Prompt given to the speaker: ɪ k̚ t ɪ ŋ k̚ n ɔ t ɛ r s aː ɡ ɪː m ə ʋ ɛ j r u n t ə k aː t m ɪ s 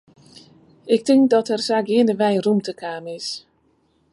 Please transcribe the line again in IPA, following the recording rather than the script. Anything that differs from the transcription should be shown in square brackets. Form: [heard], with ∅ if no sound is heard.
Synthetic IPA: ɪ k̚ t ɪ ŋ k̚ [d] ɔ t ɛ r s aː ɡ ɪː [n] ə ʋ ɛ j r u [m] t ə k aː [∅] m ɪ s